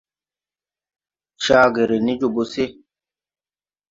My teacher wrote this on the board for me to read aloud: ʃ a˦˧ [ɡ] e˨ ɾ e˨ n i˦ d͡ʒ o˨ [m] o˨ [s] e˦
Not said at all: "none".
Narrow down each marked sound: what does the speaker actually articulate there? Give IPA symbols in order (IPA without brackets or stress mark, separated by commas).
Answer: ɡ, b, s